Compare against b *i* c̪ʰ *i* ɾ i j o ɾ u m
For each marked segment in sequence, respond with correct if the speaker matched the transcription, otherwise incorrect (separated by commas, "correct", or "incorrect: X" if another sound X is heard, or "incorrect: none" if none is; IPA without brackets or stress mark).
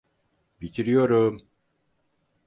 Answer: correct, correct